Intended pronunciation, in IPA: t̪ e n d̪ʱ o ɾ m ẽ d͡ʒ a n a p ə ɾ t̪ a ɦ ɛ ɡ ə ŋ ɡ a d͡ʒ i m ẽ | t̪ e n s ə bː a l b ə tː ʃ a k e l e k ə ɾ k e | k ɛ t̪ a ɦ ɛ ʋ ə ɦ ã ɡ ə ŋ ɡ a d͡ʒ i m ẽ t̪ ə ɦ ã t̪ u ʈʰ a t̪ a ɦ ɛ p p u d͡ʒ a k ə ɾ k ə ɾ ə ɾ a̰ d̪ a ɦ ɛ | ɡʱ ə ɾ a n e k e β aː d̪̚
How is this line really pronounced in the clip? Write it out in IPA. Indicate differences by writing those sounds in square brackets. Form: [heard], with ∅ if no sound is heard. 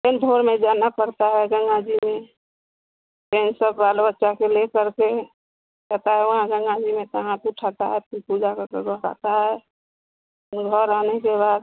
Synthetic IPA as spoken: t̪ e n d̪ʱ o ɾ m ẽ d͡ʒ a n a p ə ɾ t̪ a ɦ ɛ ɡ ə ŋ ɡ a d͡ʒ i m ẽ | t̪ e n s ə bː a l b ə tː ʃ a k e l e k ə ɾ k e | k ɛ t̪ a ɦ ɛ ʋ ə ɦ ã ɡ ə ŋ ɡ a d͡ʒ i m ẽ t̪ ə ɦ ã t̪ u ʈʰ a t̪ a ɦ ɛ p p u d͡ʒ a k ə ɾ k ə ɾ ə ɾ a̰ [t̪] a ɦ ɛ | ɡʱ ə ɾ a n e k e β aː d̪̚